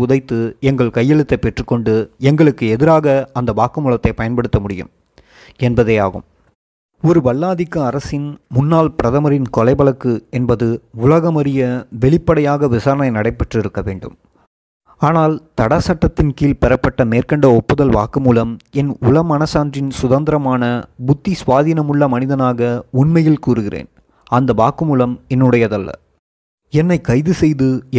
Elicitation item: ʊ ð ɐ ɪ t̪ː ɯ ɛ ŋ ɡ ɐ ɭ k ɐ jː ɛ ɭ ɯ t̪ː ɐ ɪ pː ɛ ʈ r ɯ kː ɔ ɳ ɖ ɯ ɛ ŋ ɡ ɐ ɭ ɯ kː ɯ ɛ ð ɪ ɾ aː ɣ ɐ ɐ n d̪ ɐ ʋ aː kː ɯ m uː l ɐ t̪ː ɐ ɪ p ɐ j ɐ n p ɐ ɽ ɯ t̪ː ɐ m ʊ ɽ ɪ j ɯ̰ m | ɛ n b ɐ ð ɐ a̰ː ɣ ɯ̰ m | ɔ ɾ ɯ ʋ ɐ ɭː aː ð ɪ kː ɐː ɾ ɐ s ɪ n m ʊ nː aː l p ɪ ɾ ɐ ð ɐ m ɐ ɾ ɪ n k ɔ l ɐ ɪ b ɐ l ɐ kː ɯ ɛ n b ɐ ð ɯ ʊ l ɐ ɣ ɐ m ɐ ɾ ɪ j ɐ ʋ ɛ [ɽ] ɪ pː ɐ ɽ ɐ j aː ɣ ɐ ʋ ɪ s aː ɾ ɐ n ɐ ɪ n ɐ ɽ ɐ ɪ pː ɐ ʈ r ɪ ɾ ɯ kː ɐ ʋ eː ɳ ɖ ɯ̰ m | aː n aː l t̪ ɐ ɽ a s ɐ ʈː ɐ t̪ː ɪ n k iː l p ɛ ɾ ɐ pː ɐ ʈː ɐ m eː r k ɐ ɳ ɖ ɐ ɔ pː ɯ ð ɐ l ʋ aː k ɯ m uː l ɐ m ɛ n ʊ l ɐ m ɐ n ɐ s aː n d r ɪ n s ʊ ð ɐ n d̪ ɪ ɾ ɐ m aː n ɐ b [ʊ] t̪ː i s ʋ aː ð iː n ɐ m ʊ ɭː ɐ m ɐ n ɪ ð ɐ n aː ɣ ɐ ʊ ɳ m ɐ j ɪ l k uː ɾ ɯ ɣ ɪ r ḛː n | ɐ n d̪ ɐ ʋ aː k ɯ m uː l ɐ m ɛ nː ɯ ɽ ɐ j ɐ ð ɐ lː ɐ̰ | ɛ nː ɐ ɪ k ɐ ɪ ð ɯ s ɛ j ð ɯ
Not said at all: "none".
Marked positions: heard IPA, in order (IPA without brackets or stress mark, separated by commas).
ɭ, ʊ